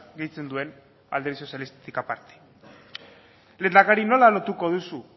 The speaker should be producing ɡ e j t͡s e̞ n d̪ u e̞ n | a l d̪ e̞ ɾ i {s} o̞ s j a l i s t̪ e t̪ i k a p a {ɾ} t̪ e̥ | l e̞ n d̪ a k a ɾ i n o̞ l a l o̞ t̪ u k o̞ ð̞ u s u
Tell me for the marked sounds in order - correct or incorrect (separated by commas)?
correct, correct